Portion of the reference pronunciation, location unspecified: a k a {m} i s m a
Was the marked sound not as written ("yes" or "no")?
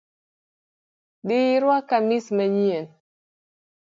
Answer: no